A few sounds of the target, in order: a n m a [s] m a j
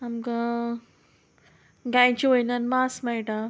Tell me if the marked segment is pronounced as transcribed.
yes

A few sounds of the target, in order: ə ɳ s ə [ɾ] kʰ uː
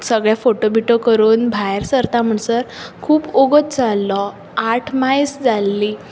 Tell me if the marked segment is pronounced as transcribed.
yes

